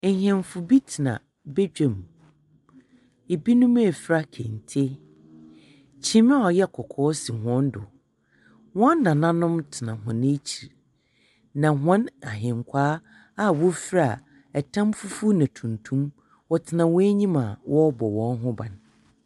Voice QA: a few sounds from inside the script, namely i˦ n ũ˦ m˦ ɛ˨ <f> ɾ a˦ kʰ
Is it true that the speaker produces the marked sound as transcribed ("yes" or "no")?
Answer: yes